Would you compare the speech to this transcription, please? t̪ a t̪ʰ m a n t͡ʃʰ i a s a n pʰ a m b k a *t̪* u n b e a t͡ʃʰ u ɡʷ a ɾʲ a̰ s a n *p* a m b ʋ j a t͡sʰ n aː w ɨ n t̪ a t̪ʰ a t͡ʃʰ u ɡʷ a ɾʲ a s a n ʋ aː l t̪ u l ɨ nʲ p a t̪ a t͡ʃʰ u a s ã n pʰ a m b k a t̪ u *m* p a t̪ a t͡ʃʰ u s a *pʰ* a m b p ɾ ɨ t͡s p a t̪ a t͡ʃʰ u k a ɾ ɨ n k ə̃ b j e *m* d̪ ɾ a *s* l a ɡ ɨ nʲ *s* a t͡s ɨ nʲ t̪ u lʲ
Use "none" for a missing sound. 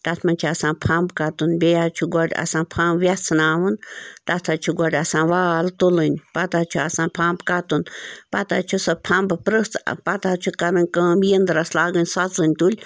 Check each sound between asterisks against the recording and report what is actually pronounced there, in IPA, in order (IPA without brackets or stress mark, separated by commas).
t̪, pʰ, n, pʰ, n, s, s